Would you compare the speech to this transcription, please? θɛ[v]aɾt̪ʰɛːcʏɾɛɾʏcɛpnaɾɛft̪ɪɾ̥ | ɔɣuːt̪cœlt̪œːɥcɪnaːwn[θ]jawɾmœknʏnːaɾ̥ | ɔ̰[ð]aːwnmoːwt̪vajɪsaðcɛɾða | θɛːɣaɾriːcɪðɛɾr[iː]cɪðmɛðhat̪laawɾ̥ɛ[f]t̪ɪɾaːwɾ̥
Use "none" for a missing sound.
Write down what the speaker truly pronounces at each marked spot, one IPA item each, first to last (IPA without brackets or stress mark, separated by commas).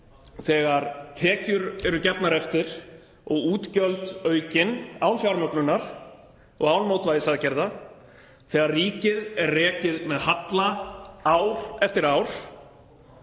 ɣ, f, ɣ, ɛː, f